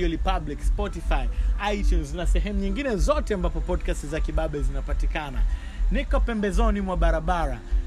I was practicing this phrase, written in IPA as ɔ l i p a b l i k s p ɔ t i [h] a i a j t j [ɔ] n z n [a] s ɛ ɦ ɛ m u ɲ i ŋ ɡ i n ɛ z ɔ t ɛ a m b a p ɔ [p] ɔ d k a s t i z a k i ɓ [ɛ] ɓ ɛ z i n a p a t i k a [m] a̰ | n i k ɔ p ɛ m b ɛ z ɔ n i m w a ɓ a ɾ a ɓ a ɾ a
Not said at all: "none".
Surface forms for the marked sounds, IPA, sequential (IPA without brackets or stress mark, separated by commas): f, u, a, p, a, n